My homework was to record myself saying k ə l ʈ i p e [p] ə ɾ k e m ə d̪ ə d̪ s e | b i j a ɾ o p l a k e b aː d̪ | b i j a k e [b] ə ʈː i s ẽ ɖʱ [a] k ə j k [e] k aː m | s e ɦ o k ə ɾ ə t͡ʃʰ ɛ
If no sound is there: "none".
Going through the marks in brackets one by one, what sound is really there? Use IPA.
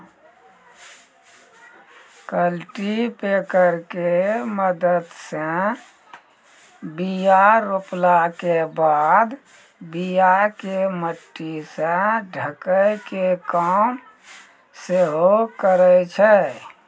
k, m, ə, e

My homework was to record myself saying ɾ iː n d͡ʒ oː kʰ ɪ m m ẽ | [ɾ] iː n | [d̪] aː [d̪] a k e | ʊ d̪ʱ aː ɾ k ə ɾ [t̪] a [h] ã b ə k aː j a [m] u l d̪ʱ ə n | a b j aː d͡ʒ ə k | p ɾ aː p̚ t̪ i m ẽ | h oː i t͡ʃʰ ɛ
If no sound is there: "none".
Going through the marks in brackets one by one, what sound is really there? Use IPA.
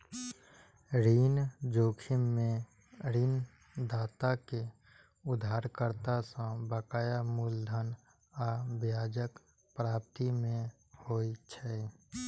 ɾ, d̪, t̪, t̪, s, m

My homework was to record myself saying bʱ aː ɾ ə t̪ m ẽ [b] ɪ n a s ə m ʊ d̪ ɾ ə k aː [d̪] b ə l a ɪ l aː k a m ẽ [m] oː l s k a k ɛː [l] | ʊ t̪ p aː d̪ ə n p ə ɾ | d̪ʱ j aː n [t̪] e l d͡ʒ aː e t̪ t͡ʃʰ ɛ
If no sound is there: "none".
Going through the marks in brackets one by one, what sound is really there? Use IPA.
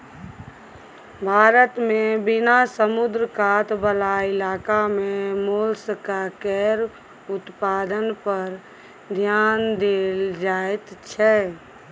b, t̪, m, ɾ, d̪

